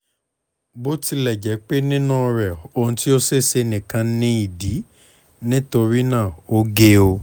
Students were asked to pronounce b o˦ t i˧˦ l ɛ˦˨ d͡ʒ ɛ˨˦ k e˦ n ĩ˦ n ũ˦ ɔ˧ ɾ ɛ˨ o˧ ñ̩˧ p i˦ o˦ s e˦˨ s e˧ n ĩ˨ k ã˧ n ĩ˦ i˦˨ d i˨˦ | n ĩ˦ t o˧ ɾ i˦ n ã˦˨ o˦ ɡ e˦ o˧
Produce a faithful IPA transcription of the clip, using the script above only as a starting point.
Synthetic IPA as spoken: b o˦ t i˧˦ l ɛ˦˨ d͡ʒ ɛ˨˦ k͡p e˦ n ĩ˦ n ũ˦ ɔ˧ ɾ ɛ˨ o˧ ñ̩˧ t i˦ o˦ s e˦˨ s e˧ n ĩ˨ k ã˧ n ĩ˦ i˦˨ d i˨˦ | n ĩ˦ t o˧ ɾ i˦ n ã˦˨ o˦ ɡ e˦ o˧

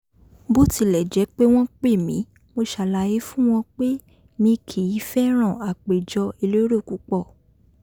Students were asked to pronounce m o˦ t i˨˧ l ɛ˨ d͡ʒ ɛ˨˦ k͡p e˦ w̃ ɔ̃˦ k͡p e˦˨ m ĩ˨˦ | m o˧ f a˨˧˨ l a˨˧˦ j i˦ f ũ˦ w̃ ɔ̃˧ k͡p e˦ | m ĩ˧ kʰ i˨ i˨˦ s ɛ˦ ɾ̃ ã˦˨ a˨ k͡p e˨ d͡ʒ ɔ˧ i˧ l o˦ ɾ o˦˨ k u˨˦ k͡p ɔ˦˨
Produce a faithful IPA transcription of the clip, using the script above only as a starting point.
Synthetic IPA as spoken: b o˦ t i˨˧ l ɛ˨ d͡ʒ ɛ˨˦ k͡p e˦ w̃ ɔ̃˦ k͡p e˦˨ m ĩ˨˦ | m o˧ ʃ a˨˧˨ l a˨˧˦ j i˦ f ũ˦ w̃ ɔ̃˧ k͡p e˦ | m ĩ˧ kʰ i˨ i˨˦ f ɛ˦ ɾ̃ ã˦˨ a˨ k͡p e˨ d͡ʒ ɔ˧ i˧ l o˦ ɾ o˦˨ k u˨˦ k͡p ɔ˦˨

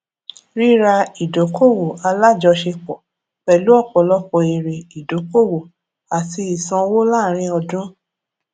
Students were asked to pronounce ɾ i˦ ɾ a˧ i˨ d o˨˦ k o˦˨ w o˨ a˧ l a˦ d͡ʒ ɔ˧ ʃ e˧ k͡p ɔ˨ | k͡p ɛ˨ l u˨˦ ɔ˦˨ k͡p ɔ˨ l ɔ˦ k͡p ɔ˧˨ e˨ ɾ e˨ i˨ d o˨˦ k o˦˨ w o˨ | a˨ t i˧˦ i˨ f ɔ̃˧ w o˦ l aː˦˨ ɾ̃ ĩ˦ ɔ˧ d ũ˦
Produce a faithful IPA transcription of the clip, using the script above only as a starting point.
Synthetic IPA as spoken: ɾ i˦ ɾ a˧ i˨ d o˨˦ k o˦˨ w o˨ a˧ l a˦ d͡ʒ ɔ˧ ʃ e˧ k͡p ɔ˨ | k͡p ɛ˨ l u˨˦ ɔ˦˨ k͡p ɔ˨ l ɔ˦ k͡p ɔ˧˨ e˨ ɾ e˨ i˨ d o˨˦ k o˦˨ w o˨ | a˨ t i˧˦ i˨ s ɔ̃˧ w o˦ l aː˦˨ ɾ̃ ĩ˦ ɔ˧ d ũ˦

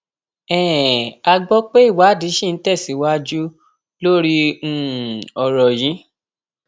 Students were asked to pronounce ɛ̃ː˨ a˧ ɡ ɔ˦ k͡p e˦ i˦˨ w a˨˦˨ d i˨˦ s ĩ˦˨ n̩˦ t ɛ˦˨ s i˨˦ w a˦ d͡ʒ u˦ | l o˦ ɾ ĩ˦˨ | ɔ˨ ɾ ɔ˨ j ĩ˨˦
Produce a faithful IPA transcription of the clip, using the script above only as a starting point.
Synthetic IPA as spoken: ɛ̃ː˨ a˧ ɡ͡b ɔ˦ k͡p e˦ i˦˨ w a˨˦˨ d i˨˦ ʃ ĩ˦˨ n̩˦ t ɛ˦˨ s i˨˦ w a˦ d͡ʒ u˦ | l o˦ ɾ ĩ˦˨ | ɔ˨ ɾ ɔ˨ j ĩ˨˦

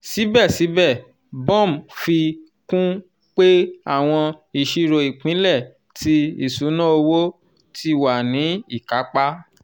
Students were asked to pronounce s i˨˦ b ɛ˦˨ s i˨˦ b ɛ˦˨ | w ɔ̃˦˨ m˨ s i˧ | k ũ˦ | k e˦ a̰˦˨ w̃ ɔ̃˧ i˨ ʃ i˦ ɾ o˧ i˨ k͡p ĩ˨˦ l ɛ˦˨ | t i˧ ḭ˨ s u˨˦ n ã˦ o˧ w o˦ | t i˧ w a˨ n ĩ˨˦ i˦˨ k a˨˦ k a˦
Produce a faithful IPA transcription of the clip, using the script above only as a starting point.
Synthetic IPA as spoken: s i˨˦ b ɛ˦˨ s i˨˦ b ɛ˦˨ | b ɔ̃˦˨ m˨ f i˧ | k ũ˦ | k͡p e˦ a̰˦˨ w̃ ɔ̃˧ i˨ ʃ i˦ ɾ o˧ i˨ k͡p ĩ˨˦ l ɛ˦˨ | t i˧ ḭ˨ s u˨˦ n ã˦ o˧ w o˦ | t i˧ w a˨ n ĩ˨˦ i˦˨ k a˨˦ k͡p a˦

